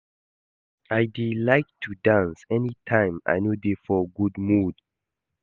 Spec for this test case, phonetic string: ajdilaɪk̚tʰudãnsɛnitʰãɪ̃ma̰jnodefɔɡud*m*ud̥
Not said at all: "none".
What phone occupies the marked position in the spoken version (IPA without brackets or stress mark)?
m